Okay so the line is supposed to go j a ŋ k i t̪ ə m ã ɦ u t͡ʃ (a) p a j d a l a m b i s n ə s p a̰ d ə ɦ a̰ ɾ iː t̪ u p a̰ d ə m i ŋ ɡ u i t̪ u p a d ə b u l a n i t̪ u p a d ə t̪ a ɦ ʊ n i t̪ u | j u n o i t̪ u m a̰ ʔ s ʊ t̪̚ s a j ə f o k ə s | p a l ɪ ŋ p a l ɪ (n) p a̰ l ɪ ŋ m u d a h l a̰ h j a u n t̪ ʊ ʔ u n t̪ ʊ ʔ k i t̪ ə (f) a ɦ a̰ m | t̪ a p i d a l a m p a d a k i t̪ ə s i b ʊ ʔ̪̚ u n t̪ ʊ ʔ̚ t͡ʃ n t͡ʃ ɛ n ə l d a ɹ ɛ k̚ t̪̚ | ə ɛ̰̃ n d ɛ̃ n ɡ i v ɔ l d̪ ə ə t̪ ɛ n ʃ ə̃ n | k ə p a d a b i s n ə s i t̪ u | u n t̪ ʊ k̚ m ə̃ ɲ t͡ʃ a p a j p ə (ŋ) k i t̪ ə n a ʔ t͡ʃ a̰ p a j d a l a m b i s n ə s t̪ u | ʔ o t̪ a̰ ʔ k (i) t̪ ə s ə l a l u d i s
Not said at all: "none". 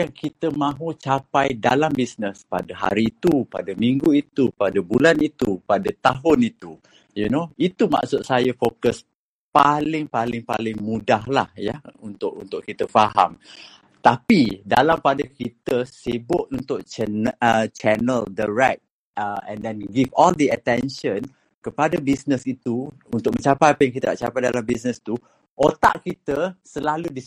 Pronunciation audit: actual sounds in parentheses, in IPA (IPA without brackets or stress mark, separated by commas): a, ŋ, f, ŋ, i